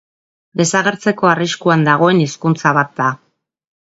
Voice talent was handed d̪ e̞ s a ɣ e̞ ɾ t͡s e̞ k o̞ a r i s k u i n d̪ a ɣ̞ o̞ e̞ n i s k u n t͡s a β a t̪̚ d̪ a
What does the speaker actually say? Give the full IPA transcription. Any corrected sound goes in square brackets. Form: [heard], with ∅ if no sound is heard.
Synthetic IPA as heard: d̪ e̞ s a ɣ e̞ ɾ t͡s e̞ k o̞ a r i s k u [a] n d̪ a ɣ̞ o̞ e̞ n i s k u n t͡s a β a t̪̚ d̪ a